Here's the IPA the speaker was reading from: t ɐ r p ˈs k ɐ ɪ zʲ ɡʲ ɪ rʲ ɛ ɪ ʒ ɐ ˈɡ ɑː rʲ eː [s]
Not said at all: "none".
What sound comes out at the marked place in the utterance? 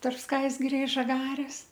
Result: s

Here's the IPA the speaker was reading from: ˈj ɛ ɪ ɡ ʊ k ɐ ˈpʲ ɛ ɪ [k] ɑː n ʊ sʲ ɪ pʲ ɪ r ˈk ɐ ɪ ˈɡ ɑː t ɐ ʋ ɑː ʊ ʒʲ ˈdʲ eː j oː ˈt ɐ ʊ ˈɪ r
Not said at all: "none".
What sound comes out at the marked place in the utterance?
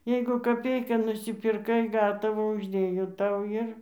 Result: k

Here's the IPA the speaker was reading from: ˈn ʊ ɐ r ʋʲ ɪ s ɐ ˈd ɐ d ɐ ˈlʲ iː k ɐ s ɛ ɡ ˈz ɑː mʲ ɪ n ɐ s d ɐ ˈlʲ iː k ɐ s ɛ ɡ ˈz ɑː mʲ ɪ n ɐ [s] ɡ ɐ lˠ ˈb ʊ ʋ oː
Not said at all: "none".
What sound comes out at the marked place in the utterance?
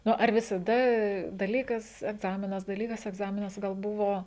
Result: s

